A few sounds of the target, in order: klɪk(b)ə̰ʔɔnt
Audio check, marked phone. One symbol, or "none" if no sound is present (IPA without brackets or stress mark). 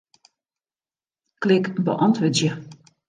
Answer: b